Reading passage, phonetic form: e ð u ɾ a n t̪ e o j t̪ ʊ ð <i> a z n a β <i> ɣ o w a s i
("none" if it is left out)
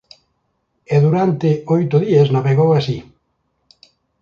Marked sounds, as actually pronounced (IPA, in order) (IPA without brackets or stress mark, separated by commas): i, e